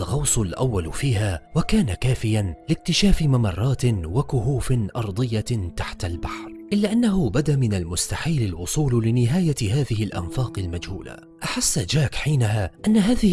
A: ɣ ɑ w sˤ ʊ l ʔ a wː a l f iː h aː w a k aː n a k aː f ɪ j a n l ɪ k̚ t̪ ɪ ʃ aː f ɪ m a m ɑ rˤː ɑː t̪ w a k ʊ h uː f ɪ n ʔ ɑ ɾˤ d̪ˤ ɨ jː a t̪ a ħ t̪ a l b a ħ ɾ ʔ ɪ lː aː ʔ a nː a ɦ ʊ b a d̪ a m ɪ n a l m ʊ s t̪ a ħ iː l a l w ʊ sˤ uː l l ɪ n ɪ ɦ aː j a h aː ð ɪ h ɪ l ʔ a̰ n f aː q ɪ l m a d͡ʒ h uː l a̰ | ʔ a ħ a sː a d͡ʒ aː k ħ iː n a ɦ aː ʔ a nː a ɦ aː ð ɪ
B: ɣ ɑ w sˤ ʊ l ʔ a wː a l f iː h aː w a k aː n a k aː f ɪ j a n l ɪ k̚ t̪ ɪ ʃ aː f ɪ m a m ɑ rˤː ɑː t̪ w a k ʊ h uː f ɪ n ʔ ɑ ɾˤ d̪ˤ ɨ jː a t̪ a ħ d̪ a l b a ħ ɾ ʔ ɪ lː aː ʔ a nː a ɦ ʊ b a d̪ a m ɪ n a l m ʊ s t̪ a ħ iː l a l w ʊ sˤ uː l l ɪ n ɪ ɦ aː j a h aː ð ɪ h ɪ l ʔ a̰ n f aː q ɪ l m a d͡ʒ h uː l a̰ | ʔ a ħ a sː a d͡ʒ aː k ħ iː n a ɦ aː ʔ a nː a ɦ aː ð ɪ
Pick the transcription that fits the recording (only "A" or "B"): A